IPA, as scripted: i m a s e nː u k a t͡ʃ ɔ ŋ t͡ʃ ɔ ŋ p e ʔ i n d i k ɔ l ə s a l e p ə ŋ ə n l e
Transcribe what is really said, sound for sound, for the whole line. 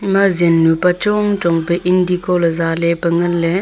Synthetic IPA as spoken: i m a z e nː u p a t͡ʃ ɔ ŋ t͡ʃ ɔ ŋ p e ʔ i n d i k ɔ l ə z a l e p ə ŋ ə n l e